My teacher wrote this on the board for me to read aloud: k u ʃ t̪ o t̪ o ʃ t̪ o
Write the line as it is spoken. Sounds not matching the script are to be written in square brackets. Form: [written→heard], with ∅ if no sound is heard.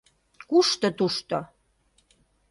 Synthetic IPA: k u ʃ t̪ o t̪ [o→u] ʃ t̪ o